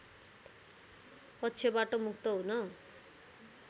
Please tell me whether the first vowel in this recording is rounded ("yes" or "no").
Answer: no